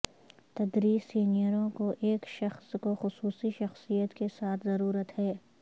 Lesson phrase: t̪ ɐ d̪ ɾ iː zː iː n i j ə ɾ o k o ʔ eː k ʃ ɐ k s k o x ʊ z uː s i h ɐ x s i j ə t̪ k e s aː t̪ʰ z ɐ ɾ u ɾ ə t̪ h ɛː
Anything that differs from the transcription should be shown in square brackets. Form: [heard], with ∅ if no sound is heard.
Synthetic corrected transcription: t̪ ɐ d̪ ɾ iː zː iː n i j ə ɾ [õ] k o ʔ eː k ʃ ɐ [x] s k o x ʊ [s] uː s i [ʃ] ɐ x s i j ə t̪ k e s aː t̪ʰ z ɐ ɾ [uː] ɾ ə t̪ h ɛː